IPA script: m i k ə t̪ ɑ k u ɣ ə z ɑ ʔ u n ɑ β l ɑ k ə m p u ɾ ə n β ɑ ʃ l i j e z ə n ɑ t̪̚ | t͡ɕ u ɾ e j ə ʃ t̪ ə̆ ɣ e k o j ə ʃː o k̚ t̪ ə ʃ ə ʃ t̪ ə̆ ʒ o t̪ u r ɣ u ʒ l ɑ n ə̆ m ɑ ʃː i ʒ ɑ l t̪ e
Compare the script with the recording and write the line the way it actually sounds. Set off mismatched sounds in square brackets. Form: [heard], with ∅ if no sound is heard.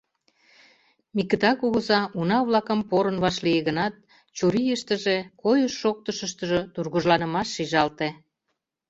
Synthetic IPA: m i k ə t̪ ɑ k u ɣ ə z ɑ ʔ u n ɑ β l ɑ k ə m p [o] ɾ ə n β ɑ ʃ l i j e [ɣ] ə n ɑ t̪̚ | t͡ɕ u ɾ [i] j ə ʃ t̪ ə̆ [ʒ] e k o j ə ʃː o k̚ t̪ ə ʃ ə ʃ t̪ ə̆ ʒ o t̪ u r ɣ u ʒ l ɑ n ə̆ m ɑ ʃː i ʒ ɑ l t̪ e